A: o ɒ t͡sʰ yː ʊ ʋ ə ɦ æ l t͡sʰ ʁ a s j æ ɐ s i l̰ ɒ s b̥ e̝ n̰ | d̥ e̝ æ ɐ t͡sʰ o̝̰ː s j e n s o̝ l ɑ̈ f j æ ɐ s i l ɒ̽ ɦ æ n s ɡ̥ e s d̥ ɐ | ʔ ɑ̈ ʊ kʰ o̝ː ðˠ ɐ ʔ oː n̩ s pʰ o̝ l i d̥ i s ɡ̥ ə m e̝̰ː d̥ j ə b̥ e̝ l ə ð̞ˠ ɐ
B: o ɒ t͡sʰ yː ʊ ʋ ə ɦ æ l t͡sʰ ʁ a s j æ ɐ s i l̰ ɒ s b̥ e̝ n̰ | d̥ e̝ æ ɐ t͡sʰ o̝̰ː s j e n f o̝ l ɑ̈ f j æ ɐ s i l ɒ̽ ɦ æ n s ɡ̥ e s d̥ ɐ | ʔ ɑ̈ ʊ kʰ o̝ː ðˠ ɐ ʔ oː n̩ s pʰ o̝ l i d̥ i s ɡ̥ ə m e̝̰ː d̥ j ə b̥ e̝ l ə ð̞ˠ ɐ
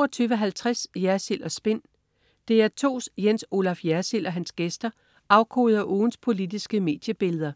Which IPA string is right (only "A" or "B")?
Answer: A